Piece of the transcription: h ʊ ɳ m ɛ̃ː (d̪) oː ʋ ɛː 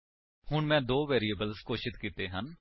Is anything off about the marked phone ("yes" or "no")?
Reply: no